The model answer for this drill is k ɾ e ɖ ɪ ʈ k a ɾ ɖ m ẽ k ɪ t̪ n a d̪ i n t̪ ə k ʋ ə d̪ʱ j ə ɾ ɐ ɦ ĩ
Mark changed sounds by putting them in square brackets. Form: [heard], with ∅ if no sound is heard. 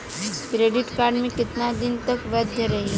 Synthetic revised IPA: k ɾ e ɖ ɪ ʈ k a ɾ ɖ m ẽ k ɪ t̪ n a d̪ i n t̪ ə k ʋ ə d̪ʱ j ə ɾ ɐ ɦ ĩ